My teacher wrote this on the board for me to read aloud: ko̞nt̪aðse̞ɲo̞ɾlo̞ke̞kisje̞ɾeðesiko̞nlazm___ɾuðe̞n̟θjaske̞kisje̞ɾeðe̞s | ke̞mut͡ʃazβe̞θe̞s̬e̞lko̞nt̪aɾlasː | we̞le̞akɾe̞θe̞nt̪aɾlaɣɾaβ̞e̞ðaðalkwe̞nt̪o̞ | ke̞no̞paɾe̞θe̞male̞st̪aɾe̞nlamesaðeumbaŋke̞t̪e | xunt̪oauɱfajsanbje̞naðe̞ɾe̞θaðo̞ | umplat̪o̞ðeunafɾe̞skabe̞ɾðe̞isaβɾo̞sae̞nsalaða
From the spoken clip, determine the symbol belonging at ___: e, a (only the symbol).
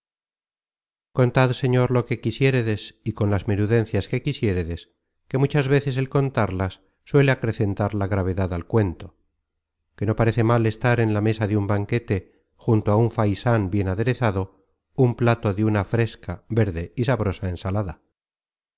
e